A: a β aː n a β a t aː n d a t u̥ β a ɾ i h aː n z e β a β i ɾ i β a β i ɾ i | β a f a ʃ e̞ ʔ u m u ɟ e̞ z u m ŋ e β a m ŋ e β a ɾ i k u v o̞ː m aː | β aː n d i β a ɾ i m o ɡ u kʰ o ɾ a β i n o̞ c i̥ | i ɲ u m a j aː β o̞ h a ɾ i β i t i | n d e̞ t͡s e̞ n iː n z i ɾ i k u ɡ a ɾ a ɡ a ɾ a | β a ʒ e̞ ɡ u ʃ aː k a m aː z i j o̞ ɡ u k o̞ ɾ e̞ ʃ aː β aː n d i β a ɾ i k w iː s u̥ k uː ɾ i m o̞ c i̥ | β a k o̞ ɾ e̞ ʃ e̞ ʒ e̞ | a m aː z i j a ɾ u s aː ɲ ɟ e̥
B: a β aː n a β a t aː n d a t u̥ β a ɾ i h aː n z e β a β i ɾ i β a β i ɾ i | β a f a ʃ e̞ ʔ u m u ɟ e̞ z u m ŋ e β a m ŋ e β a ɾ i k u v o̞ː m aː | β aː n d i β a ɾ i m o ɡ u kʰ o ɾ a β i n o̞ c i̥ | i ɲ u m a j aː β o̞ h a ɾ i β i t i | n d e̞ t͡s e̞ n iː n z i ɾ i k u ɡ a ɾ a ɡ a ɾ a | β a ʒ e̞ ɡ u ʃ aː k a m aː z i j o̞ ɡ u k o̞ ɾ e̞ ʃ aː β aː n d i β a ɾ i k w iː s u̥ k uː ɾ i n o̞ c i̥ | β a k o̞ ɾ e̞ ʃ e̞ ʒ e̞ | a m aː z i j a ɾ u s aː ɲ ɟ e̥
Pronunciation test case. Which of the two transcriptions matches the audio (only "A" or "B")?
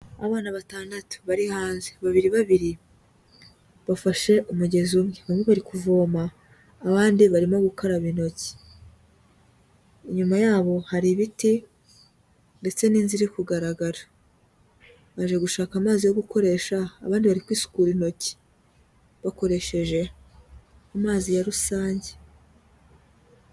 B